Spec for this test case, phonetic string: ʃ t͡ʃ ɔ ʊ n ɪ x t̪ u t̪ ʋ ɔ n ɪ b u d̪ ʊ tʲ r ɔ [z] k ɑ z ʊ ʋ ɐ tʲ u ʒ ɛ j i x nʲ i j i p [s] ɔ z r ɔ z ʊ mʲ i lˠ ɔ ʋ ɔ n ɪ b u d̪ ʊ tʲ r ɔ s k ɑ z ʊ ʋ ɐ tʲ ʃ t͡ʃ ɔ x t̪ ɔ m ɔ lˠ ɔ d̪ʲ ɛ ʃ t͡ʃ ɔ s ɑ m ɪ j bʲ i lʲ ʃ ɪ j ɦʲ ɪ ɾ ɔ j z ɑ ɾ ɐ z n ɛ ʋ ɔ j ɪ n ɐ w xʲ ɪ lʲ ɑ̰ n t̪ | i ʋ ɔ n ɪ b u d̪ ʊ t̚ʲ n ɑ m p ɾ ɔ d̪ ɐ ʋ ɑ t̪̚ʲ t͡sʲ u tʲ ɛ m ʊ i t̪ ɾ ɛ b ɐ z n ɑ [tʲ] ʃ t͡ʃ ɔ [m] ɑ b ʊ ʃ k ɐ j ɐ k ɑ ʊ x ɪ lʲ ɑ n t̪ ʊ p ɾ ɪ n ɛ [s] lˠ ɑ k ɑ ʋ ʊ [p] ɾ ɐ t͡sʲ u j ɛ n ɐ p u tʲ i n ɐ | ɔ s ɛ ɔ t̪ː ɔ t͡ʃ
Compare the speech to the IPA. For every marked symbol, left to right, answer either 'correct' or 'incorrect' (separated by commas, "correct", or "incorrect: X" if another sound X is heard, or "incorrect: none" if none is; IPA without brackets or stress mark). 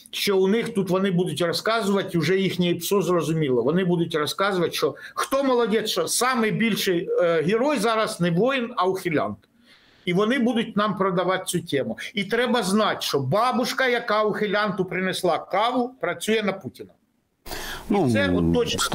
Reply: incorrect: s, correct, correct, incorrect: b, correct, correct